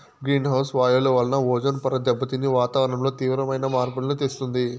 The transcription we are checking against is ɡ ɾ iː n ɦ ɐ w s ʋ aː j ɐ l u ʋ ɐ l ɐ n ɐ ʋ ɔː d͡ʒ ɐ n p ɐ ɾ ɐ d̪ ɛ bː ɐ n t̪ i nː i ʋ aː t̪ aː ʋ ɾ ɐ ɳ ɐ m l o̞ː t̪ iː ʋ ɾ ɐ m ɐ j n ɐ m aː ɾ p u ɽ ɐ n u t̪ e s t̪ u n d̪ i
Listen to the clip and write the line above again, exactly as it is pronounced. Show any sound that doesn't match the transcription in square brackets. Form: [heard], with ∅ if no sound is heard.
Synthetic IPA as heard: ɡ ɾ iː n ɦ ɐ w s ʋ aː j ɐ l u ʋ ɐ l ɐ n ɐ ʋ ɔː d͡ʒ ɐ n p ɐ ɾ ɐ d̪ ɛ bː ɐ [∅] t̪ i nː i ʋ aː t̪ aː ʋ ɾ ɐ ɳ ɐ m l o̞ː t̪ iː ʋ ɾ ɐ m ɐ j n ɐ m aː ɾ p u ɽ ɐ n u t̪ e s t̪ u n d̪ i